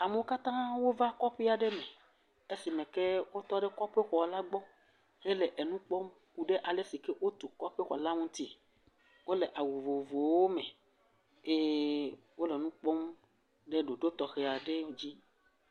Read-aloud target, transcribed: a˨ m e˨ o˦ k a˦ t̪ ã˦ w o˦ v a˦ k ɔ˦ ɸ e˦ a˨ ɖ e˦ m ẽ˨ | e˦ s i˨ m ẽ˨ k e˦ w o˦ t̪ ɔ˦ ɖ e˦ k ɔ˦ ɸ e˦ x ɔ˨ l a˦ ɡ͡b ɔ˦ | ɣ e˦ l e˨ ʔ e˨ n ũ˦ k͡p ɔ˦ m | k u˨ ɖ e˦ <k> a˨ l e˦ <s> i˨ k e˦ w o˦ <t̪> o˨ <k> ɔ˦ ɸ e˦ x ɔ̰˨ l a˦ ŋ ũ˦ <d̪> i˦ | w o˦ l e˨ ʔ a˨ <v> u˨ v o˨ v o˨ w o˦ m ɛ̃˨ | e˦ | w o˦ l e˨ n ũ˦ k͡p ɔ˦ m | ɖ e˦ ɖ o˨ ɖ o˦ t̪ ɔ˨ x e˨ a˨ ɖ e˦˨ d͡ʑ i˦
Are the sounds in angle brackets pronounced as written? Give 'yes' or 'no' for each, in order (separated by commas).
no, yes, yes, yes, no, no